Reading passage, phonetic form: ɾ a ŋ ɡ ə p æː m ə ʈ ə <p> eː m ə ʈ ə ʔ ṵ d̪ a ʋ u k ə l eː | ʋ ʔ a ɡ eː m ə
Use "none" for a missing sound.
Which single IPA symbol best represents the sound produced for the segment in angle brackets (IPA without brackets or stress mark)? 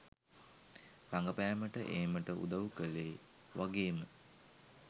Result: ʔ